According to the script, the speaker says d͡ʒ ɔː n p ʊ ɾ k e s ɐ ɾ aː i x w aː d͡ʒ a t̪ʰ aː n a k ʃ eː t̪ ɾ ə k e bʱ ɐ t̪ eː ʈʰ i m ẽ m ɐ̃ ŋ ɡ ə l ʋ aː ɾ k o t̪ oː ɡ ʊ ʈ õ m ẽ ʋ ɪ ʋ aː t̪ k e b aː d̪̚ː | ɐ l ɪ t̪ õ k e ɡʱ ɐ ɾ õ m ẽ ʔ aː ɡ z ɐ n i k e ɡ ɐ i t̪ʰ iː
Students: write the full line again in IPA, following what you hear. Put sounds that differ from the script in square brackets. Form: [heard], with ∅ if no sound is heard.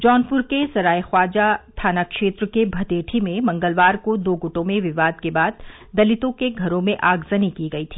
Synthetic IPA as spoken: d͡ʒ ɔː n p ʊ ɾ k e s ɐ ɾ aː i x w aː d͡ʒ a t̪ʰ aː n a k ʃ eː t̪ ɾ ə k e bʱ ɐ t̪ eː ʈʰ i m ẽ m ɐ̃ ŋ ɡ ə l ʋ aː ɾ k o [d̪] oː ɡ ʊ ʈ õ m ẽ ʋ ɪ ʋ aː [d̪] k e b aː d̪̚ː | ɐ l ɪ t̪ õ k e ɡʱ ɐ ɾ õ m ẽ ʔ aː ɡ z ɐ n i k [i] ɡ ɐ i t̪ʰ iː